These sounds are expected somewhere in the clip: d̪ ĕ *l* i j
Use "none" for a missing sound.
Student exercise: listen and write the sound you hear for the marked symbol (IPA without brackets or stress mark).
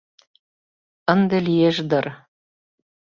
l